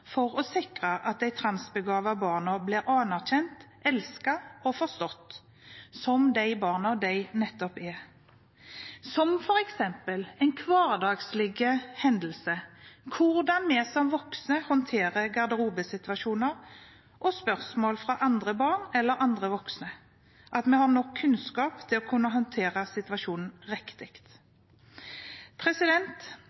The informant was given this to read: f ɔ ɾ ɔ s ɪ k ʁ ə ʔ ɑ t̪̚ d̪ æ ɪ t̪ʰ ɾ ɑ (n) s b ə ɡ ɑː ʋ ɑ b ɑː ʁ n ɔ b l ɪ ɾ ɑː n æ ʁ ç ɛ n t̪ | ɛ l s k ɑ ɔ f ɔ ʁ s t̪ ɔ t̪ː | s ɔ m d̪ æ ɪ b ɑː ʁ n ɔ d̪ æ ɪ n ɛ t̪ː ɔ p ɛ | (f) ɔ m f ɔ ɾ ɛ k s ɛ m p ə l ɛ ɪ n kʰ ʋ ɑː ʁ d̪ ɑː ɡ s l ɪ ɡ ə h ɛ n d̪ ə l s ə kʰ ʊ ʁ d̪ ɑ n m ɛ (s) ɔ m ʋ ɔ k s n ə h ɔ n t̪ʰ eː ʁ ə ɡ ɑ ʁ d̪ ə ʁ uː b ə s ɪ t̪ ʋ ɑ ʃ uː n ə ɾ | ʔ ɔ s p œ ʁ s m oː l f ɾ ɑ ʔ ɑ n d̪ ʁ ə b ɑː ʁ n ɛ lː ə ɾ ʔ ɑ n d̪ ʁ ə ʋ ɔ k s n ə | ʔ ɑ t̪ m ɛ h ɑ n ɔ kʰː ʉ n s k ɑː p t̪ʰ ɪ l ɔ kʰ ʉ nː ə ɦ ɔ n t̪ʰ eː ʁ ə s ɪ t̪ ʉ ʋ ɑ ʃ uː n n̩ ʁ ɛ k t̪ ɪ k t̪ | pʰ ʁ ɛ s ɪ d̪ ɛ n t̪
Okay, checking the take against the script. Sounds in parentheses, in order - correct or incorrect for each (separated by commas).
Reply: correct, incorrect, correct